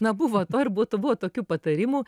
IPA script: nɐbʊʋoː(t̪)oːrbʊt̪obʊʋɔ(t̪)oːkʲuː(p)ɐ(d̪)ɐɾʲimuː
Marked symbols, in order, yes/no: yes, yes, yes, no

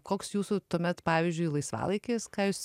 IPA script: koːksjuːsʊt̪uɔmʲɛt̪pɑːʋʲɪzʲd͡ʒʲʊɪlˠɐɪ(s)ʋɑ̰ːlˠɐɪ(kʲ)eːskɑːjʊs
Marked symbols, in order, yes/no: yes, yes

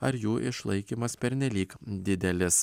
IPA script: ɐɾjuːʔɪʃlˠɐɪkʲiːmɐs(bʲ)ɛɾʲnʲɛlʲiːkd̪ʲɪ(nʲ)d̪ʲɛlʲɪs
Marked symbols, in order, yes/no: no, no

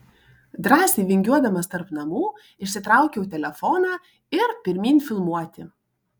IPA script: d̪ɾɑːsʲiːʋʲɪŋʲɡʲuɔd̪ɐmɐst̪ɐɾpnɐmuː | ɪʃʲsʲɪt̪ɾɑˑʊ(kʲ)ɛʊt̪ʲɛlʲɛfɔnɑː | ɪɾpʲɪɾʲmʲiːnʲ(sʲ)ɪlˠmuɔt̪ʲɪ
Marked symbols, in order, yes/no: yes, no

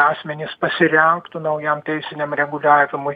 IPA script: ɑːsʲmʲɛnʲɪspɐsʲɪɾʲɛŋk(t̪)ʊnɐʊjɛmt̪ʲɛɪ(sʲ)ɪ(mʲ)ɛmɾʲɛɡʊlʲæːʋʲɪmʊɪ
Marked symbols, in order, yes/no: yes, yes, no

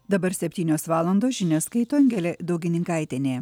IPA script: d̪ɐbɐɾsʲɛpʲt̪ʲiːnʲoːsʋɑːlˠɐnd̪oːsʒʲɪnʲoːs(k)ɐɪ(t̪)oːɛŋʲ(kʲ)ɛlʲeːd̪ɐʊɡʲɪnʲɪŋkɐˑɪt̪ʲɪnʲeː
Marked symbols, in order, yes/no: yes, yes, no

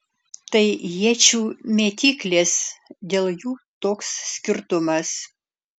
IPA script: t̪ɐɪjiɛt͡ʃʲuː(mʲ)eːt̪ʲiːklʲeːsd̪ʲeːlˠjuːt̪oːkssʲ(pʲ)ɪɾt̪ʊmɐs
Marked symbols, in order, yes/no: yes, no

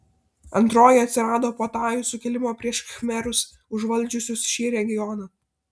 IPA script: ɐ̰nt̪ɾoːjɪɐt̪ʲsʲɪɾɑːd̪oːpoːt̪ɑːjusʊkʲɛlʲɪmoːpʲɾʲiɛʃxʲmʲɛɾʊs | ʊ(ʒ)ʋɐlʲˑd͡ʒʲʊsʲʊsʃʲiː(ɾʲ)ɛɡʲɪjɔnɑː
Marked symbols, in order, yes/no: yes, yes

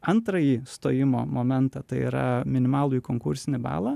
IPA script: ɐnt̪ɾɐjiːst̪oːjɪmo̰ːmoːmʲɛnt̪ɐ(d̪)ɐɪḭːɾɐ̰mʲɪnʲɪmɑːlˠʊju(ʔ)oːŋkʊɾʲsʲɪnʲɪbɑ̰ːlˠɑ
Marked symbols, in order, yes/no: no, no

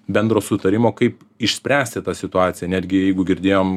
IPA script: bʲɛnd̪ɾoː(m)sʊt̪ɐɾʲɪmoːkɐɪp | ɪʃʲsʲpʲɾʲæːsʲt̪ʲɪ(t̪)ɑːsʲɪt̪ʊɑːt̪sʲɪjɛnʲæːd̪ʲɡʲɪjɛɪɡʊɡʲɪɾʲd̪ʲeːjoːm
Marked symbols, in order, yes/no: no, yes

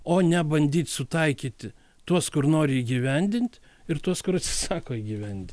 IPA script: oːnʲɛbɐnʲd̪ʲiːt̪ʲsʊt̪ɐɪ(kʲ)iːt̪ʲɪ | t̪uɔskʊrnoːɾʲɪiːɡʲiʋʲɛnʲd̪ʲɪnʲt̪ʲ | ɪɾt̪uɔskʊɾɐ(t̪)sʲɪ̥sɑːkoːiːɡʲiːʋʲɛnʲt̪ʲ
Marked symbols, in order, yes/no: yes, yes

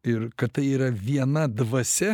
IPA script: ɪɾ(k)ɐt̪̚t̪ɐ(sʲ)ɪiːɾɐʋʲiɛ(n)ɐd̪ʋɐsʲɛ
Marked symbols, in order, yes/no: yes, no, yes

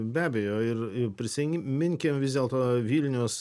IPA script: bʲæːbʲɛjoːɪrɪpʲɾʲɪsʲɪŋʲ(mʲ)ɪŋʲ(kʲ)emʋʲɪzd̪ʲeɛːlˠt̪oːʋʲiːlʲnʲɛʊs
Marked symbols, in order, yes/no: yes, yes

